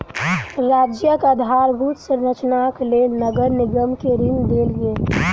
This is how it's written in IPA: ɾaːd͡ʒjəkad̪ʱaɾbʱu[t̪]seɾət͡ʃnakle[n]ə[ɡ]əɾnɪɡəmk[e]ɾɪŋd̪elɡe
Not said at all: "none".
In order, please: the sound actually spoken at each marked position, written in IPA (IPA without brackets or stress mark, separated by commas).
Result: t̪, n, ɡ, e